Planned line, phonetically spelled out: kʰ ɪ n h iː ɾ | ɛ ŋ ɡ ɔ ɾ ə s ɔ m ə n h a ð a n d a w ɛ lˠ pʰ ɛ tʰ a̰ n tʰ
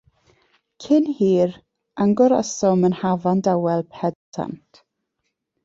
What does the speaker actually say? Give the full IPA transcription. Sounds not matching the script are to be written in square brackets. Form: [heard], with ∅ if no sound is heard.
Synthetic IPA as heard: kʰ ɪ n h iː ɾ | [a] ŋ ɡ ɔ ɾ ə s ɔ m ə n h a [v] a n d a w ɛ lˠ pʰ ɛ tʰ a̰ n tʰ

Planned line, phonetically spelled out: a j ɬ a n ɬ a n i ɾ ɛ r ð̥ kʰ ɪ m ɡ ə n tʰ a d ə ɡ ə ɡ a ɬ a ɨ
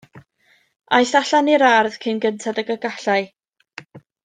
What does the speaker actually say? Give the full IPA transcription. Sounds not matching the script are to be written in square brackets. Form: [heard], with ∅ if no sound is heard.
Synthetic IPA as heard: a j ɬ a [∅] ɬ a n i ɾ [a] r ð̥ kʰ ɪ [n] ɡ ə n tʰ a d ə ɡ ə ɡ a ɬ a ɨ

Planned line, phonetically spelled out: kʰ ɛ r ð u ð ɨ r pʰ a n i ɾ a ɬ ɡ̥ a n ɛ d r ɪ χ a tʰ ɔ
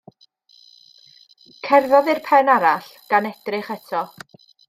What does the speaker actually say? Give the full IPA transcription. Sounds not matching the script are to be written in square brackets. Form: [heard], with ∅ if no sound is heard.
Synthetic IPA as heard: kʰ ɛ r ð [ɔ] ð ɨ r pʰ [ɛ] n [a] ɾ a ɬ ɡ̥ a n ɛ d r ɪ χ [ɛ] tʰ ɔ

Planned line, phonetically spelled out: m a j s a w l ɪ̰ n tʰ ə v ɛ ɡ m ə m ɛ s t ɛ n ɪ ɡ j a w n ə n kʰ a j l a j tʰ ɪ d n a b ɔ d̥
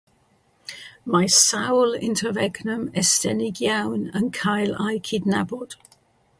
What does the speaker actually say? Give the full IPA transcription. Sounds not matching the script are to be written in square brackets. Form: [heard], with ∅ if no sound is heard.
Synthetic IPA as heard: m a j s a w l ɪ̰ n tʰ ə v ɛ ɡ [n] ə m ɛ s t ɛ n ɪ ɡ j a w n ə n kʰ a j l a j [kʰ] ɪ d n a b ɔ d̥

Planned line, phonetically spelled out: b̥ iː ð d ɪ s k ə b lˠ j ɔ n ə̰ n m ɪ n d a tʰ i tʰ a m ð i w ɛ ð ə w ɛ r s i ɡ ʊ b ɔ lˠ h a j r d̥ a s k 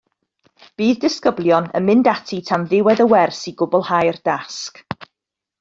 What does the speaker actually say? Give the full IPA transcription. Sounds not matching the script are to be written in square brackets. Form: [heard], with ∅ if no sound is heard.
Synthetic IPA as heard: b̥ iː ð d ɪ s k ə b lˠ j ɔ n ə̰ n m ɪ n d a tʰ i tʰ a m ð [ɪ] w ɛ ð ə w ɛ r s i ɡ ʊ b ɔ lˠ h a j r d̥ a s k

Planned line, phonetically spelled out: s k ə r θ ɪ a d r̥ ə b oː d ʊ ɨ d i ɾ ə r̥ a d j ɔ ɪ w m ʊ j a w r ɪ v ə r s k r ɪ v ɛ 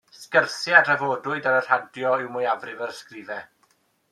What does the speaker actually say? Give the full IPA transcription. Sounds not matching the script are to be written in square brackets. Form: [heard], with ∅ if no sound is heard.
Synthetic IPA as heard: s k ə r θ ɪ a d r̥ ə [v] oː d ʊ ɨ d [a] ɾ ə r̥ a d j ɔ ɪ w m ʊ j a [v] r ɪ v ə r s k r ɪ v ɛ

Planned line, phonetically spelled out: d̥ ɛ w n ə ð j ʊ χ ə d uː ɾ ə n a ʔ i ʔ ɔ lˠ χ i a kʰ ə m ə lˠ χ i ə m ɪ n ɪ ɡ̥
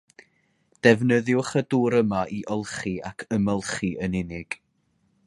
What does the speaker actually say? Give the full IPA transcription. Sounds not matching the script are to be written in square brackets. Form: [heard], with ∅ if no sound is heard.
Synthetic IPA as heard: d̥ ɛ [v] n ə ð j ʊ χ ə d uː ɾ ə [m] a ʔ i ʔ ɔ lˠ χ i a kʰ ə m ə lˠ χ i ə [n] ɪ n ɪ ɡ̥

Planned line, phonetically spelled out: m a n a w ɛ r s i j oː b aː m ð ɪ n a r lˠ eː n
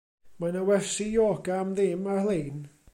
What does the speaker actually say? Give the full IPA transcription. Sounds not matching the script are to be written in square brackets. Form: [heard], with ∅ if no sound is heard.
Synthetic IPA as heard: m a n a w ɛ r s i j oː [ɡ] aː m ð ɪ [m] a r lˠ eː n

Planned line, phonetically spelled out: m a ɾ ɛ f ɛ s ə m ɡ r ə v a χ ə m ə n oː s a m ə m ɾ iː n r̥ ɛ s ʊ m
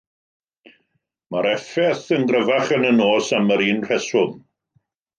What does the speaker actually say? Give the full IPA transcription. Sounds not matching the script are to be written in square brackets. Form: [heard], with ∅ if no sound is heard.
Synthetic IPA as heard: m a ɾ ɛ f ɛ [θ] ə [n] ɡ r ə v a χ ə [n] ə n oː s a m ə [∅] ɾ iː n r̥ ɛ s ʊ m

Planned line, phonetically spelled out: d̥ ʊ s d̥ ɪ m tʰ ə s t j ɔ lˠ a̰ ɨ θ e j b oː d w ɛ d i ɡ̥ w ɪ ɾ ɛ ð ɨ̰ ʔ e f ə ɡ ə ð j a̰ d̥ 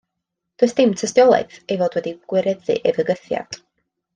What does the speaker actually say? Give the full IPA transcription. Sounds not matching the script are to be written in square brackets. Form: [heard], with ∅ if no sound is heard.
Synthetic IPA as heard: d̥ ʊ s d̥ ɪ m tʰ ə s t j ɔ lˠ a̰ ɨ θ e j [v] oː d w ɛ d i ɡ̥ w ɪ ɾ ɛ ð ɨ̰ ʔ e [v] ə ɡ ə [θ] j a̰ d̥

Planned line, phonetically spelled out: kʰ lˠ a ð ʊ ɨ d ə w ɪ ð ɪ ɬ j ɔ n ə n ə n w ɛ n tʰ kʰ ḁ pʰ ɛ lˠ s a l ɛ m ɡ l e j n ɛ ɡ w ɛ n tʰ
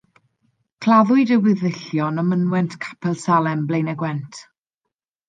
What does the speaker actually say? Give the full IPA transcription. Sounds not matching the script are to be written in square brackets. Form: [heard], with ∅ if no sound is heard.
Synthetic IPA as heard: kʰ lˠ a ð ʊ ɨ d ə w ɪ ð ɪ ɬ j ɔ n ə [m] ə n w ɛ n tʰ kʰ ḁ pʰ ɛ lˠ s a l ɛ m [b] l e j n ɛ ɡ w ɛ n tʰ

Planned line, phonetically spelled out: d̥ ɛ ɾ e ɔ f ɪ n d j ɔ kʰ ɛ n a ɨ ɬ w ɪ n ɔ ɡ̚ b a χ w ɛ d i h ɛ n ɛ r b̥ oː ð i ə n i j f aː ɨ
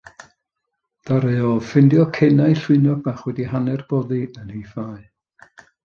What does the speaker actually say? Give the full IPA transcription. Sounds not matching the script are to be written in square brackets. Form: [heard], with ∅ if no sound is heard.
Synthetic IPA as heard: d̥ [a] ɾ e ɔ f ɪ n d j ɔ kʰ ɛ n a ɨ ɬ w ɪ n ɔ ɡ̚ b a χ w ɛ d i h [a] n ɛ r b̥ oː ð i ə n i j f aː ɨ

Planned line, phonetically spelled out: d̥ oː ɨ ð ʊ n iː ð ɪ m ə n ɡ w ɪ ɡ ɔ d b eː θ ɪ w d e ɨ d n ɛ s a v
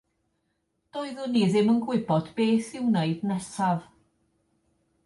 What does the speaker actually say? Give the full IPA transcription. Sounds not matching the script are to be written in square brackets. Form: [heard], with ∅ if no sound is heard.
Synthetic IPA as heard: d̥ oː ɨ ð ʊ n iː ð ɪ m ə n ɡ w ɪ [b] ɔ d b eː θ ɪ w [n] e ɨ d n ɛ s a v

